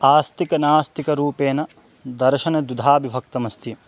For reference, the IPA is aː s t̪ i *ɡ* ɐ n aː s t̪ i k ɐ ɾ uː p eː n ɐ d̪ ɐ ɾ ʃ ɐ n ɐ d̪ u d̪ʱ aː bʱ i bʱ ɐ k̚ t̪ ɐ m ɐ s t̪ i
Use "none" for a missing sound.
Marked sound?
k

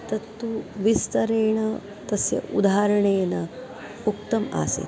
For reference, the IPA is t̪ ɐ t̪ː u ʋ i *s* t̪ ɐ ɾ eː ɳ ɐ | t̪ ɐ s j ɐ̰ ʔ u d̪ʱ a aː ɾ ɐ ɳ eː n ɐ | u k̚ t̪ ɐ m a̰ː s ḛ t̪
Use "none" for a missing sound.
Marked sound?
s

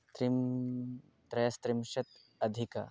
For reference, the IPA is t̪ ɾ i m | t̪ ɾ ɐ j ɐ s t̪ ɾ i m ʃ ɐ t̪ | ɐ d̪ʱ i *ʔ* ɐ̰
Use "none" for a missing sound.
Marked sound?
k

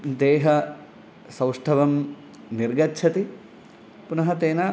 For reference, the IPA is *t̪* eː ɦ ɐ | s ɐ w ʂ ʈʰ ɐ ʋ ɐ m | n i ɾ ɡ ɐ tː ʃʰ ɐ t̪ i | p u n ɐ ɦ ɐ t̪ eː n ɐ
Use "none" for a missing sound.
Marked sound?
d̪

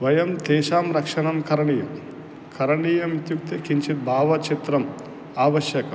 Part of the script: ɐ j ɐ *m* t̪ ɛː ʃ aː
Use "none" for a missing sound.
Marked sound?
m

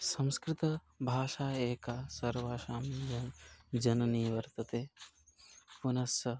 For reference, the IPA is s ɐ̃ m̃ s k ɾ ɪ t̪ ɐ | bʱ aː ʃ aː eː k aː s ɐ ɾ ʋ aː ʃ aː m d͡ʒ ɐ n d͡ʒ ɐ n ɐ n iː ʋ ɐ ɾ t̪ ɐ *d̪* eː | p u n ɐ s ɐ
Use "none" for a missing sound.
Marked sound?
t̪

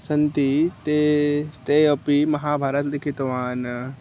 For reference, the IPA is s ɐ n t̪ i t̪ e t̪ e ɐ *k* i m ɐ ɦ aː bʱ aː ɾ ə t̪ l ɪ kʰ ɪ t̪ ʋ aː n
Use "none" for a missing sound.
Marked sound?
p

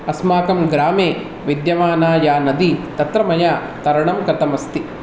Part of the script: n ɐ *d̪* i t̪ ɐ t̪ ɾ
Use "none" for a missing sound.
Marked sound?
d̪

